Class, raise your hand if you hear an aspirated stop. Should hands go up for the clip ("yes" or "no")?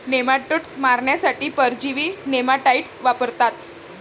no